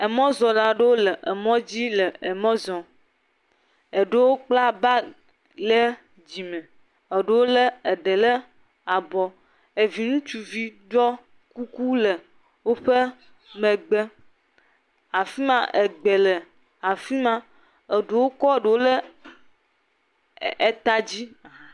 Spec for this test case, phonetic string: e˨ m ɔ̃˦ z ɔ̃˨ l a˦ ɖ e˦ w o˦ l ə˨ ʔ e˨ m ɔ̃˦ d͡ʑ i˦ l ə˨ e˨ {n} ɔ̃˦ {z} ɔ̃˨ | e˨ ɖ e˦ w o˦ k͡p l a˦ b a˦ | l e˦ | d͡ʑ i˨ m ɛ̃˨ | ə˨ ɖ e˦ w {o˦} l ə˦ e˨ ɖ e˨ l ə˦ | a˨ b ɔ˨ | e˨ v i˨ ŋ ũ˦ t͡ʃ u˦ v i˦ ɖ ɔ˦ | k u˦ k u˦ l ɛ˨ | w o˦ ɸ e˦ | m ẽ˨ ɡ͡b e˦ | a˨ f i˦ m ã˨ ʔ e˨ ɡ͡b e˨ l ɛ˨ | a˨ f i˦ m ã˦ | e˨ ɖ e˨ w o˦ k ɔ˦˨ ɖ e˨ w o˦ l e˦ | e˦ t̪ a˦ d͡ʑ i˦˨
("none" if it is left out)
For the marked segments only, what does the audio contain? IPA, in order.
m, z, o˦

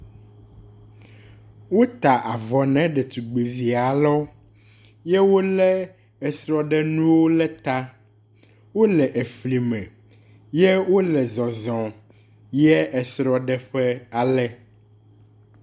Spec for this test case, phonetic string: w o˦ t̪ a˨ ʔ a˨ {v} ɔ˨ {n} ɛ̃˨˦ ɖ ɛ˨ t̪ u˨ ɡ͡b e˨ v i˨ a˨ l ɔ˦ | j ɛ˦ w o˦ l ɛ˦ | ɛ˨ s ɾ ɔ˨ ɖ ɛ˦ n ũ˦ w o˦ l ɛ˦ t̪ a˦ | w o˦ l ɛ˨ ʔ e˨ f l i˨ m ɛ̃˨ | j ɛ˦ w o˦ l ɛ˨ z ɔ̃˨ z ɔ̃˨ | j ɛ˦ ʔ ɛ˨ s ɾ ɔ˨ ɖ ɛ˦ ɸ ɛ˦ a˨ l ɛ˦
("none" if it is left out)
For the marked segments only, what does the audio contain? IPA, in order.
v, n

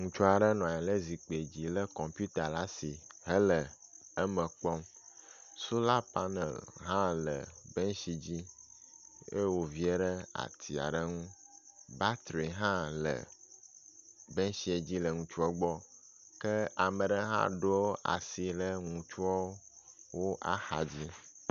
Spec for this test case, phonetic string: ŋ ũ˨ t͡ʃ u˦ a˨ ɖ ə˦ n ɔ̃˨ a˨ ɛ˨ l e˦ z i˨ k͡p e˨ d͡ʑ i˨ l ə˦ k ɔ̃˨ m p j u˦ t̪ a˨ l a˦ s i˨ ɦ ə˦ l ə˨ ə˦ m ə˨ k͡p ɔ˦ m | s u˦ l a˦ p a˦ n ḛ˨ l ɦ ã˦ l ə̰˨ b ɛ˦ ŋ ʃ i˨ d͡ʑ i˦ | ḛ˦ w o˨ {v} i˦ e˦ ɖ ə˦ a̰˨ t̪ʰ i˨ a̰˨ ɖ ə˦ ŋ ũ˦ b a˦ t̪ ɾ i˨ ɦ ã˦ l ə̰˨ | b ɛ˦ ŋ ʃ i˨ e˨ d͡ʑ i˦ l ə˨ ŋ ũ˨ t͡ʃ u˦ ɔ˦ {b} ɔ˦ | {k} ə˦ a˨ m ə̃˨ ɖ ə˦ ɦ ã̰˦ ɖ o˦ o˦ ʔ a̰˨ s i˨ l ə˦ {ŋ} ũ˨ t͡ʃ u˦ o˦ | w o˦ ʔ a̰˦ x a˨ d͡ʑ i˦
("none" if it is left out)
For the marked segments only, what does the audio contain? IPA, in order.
v, ɡ͡b, k, ŋ

